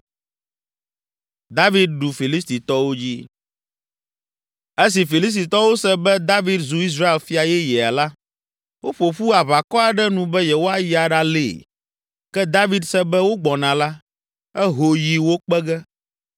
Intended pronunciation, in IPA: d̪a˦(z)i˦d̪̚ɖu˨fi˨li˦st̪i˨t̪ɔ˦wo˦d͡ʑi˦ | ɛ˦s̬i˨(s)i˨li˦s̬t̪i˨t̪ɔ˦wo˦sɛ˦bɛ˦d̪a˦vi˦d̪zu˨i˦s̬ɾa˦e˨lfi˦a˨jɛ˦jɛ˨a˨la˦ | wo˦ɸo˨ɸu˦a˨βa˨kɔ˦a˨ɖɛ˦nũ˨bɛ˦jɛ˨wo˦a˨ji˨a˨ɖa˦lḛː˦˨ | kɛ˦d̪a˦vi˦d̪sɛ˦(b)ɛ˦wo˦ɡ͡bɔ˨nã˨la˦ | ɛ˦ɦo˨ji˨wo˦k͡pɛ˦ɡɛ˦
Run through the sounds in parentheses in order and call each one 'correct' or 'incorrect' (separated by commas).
incorrect, incorrect, correct